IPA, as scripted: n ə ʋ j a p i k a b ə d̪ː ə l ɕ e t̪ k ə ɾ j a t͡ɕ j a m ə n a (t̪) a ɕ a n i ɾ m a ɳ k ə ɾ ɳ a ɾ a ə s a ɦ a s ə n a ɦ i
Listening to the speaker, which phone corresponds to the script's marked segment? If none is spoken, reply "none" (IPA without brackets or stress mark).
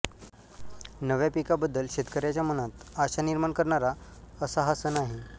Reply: t̪